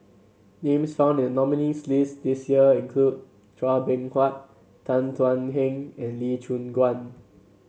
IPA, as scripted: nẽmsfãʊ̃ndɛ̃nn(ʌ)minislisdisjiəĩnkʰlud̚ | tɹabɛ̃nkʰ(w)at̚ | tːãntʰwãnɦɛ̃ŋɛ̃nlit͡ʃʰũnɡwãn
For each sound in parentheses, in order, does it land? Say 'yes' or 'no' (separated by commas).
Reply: no, yes